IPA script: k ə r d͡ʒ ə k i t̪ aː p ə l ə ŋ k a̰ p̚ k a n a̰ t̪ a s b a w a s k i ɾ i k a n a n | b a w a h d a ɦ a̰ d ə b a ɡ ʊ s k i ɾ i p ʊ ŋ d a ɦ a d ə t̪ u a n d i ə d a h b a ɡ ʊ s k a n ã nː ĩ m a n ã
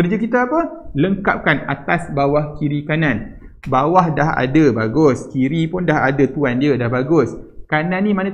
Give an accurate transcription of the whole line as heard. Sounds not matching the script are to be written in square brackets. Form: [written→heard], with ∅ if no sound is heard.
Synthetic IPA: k ə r d͡ʒ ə k i t̪ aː p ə l ə ŋ k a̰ p̚ k a n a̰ t̪ a s b a w a [s→h] k i ɾ i k a n a n | b a w a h d a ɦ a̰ d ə b a ɡ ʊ s k i ɾ i p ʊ [ŋ→n] d a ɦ a d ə t̪ u a n d i ə d a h b a ɡ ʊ s k a n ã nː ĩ m a n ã